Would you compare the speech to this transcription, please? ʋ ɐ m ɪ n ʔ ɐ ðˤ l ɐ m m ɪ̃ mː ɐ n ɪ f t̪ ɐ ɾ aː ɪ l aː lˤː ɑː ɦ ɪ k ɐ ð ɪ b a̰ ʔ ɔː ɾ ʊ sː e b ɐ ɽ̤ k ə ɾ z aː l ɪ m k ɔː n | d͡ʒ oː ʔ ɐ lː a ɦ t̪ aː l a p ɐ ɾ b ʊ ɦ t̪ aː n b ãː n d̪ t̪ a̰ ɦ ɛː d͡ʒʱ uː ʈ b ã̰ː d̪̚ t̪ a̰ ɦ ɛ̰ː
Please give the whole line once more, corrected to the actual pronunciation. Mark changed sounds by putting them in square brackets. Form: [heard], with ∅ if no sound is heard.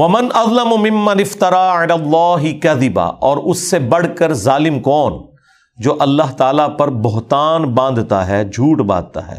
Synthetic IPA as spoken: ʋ ɐ m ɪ n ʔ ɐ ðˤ l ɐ m m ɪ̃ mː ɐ n ɪ f t̪ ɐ ɾ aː ɪ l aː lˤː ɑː ɦ ɪ k ɐ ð ɪ b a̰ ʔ ɔː ɾ ʊ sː e b ɐ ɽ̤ k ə ɾ z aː l ɪ m k ɔː n | d͡ʒ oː ʔ ɐ lː a ɦ t̪ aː l a p ɐ ɾ b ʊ ɦ t̪ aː n b ãː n d̪ t̪ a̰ ɦ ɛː d͡ʒʱ uː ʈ b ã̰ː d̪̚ t̪ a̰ ɦ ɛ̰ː